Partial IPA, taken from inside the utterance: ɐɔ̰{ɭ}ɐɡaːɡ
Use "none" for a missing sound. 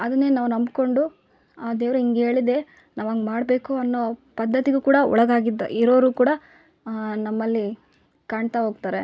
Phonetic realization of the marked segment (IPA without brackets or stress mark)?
ɭ